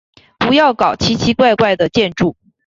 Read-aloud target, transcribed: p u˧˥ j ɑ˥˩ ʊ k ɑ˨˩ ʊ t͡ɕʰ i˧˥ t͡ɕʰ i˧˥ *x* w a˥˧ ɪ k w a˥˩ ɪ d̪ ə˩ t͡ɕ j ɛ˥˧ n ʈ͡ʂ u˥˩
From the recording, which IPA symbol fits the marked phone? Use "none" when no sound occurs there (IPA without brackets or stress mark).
k